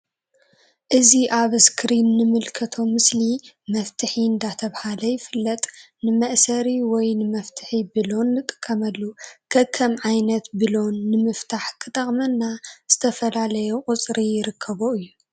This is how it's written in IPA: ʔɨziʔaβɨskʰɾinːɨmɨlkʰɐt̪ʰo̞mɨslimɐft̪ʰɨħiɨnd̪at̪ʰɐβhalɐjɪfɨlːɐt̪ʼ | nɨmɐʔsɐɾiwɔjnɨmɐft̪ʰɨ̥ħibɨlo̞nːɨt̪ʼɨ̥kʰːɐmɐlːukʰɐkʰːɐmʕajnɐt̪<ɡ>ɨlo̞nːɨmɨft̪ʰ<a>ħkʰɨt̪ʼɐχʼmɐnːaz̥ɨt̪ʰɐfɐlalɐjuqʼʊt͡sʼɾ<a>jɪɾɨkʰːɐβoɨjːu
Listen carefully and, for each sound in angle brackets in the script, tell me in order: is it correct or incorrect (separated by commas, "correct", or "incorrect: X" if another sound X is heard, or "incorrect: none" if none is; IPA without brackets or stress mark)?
incorrect: b, correct, incorrect: i